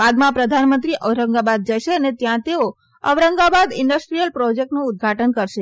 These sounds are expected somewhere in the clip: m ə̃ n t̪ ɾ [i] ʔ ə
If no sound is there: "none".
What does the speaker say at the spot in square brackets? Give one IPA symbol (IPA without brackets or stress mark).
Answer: i